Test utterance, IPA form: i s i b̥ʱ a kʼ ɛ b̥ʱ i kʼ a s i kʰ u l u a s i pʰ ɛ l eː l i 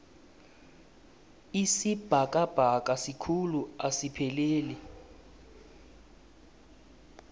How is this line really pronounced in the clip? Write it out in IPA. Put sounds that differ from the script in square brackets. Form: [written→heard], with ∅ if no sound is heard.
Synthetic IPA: i s i b̥ʱ a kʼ [ɛ→a] b̥ʱ [i→a] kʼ a s i kʰ u l u a s i pʰ ɛ l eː l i